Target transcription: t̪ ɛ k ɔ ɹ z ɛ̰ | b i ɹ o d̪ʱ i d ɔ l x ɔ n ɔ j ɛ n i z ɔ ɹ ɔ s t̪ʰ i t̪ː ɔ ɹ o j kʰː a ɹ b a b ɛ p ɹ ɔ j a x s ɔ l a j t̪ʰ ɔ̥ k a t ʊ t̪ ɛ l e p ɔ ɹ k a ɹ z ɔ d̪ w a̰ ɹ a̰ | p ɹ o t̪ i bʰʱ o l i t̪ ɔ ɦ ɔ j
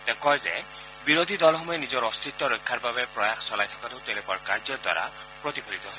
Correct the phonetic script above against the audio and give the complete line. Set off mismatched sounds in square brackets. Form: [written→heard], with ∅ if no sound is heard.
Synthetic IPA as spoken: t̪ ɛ k ɔ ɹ z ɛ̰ | b i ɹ o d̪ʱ i d ɔ l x ɔ [n→m] ɔ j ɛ n i z ɔ ɹ ɔ s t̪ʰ i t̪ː ɔ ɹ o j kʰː a ɹ b a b ɛ p ɹ ɔ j a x s ɔ l a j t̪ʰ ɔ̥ k a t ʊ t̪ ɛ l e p ɔ ɹ k a ɹ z ɔ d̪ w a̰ ɹ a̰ | p ɹ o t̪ i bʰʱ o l i t̪ ɔ ɦ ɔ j

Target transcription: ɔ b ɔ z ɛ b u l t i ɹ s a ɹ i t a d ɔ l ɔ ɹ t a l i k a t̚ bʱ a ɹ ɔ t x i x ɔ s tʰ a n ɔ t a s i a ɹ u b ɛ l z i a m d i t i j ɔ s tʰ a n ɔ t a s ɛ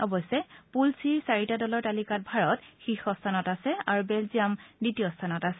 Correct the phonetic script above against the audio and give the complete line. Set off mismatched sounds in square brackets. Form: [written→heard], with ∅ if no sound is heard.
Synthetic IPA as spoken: ɔ b ɔ [z→s] ɛ [b→p] u l [t→s] i ɹ s a ɹ i t a d ɔ l ɔ ɹ t a l i k a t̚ bʱ a ɹ ɔ t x i x ɔ s tʰ a n ɔ t a s [i→ɛ] a ɹ u b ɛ l z i a m d i t i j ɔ s tʰ a n ɔ t a s ɛ

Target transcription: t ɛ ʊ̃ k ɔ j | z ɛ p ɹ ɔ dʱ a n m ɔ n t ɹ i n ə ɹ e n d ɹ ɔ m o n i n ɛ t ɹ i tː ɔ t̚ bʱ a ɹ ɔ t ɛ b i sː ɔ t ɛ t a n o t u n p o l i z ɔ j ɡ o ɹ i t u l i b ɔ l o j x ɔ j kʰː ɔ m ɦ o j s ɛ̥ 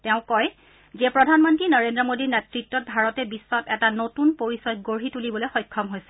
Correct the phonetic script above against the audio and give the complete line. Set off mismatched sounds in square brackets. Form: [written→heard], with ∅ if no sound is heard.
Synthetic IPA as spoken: t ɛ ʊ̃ k ɔ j | z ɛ p ɹ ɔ dʱ a n m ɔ n t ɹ i n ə ɹ e n d ɹ ɔ m o [n→d] i n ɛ t ɹ i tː ɔ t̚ bʱ a ɹ ɔ t ɛ b i sː ɔ t ɛ t a n o t u n p o [l→ɹ] i [z→s] ɔ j ɡ o ɹ i t u l i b ɔ l o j x ɔ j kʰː ɔ m ɦ o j s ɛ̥

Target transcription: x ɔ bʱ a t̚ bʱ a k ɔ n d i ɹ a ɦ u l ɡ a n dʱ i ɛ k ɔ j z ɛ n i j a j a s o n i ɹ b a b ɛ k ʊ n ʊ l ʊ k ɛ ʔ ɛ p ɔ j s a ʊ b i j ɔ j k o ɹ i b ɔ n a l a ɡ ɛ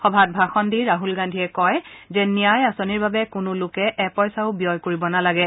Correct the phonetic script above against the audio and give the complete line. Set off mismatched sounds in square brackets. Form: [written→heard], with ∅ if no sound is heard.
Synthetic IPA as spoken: x ɔ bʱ a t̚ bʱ a [k→x] ɔ n d i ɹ a ɦ u l ɡ a n dʱ i ɛ k ɔ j z ɛ n i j a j a s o n i ɹ b a b ɛ k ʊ n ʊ l ʊ k ɛ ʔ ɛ p ɔ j s a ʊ b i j ɔ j k o ɹ i b ɔ n a l a ɡ ɛ

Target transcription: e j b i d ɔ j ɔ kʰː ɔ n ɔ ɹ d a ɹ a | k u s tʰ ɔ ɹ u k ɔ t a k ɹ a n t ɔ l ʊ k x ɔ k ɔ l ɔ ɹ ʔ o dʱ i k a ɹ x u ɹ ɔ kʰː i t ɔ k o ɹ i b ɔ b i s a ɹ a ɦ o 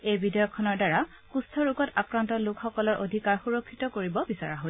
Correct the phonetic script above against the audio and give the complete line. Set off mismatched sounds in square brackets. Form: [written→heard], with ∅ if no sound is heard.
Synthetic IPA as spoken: e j b i d ɔ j ɔ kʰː ɔ n ɔ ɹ d a ɹ a | k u s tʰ ɔ ɹ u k ɔ t a k ɹ a n t ɔ l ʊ k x ɔ k ɔ l ɔ ɹ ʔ o dʱ i k a ɹ x u ɹ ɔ kʰː i t ɔ k o ɹ i b ɔ b i s a ɹ a ɦ o

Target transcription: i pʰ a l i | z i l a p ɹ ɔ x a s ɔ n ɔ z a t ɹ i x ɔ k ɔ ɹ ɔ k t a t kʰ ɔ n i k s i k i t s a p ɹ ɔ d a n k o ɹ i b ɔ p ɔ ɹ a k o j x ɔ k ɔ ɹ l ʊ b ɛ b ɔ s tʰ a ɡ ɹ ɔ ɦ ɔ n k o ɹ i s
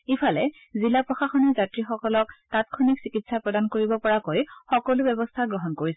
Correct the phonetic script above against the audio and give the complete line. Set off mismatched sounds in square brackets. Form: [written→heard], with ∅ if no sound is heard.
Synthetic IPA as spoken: i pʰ a l [i→ɛ] | z i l a p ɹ ɔ x a [s→x] ɔ n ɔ z a t ɹ i x ɔ k ɔ [ɹ→l] ɔ k t a t kʰ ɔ n i k s i k i t s a p ɹ ɔ d a n k o ɹ i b ɔ p ɔ ɹ a k o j x ɔ k ɔ [ɹ→∅] l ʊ b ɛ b ɔ s tʰ a ɡ ɹ ɔ ɦ ɔ n k o ɹ i s

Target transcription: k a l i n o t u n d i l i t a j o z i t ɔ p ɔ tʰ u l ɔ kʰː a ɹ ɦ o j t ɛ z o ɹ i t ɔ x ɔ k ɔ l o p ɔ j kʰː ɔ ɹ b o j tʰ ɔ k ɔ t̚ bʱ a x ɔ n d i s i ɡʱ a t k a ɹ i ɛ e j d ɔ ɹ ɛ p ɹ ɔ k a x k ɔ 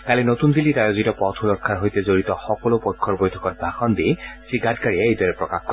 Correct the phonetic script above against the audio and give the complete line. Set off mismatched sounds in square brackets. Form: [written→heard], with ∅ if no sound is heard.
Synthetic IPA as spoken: k a l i n o t u n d i l i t a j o z i t ɔ p ɔ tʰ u l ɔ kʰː a ɹ ɦ o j t ɛ z o ɹ i t ɔ x ɔ k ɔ l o p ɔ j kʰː ɔ ɹ b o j tʰ ɔ k ɔ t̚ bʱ a x ɔ n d i s i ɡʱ a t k a ɹ i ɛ e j d ɔ ɹ ɛ p ɹ ɔ k a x k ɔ

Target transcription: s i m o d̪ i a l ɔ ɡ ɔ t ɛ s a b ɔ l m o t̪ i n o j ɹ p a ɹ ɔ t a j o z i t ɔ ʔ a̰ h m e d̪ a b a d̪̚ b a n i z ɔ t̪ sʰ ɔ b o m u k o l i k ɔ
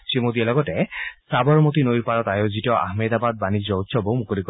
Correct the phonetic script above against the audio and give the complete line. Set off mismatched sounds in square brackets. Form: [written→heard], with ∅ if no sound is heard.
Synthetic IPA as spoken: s i m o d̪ i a l ɔ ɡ ɔ t ɛ s a b ɔ [l→ɹ] m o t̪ i n o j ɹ p a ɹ ɔ t a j o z i t ɔ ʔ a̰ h m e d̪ a b a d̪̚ b a n i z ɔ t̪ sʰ ɔ b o m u k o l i k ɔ

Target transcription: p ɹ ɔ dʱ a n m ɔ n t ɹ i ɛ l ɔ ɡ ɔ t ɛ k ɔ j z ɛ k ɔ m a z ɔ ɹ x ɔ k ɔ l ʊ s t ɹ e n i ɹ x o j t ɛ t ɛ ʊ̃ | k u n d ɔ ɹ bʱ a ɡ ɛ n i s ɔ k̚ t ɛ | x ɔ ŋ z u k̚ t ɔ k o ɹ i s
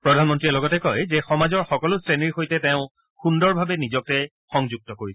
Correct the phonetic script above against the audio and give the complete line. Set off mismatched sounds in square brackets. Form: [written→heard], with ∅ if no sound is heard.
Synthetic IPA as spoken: p ɹ ɔ dʱ a n m ɔ n t ɹ i ɛ l ɔ ɡ ɔ t ɛ k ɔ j z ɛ [k→x] ɔ m a z ɔ ɹ x ɔ k ɔ l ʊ s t ɹ e n i ɹ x o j t ɛ t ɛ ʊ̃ | [k→x] u n d ɔ ɹ bʱ a [ɡ→b] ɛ n i [s→z] ɔ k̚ t ɛ | x ɔ ŋ z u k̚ t ɔ k o ɹ i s

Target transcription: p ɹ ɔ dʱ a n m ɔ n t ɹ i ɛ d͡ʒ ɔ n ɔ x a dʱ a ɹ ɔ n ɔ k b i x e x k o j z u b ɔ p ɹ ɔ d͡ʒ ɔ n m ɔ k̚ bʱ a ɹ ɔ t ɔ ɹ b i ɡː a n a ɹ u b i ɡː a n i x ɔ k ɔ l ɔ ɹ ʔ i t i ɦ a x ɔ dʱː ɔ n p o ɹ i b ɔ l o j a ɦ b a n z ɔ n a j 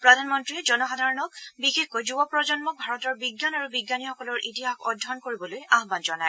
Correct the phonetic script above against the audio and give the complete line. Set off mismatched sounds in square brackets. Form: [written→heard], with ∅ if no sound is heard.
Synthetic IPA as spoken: p ɹ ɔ dʱ a n m ɔ n t ɹ i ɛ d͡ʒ ɔ n ɔ x a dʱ a ɹ ɔ n ɔ k b i x e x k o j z u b ɔ p ɹ ɔ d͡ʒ ɔ n m ɔ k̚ bʱ a ɹ ɔ t ɔ ɹ b i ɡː a n a ɹ u b i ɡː a n i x ɔ k ɔ l ɔ ɹ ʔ i t i ɦ a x ɔ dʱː ɔ n [p→k] o ɹ i b ɔ l o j a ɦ b a n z ɔ n a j

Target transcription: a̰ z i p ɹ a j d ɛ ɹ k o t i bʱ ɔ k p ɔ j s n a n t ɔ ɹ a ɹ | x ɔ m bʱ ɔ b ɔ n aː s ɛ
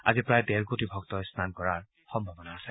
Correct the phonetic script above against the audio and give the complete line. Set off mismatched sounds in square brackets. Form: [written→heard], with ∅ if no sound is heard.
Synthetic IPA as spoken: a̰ z i p ɹ a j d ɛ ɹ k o t i bʱ ɔ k [p→t] ɔ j s n a n [t→k] ɔ ɹ a ɹ | x ɔ m bʱ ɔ b ɔ n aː s ɛ

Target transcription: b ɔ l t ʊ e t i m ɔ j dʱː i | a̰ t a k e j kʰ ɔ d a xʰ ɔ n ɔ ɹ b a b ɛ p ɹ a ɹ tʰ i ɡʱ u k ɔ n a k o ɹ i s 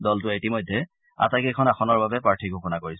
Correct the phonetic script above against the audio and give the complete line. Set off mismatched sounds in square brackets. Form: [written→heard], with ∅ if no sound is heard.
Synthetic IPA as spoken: [b→d] ɔ l t ʊ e t i m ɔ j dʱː [i→ɛ] | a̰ t a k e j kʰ ɔ [d→n] a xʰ ɔ n ɔ ɹ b a b ɛ p ɹ a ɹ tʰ i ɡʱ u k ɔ n a k o ɹ i s

